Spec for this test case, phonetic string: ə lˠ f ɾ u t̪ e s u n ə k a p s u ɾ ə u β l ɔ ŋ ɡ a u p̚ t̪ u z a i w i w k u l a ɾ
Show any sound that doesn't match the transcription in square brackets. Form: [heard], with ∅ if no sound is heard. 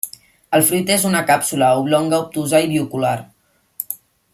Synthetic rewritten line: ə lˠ f ɾ u t̪ e [z] u n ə k a p s u [l] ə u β l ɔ ŋ ɡ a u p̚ t̪ u z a i [β] i [u] k u l a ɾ